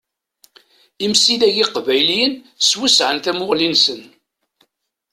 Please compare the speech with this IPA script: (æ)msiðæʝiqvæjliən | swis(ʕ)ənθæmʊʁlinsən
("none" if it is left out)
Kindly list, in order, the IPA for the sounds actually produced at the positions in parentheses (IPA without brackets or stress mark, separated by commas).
i, ʕ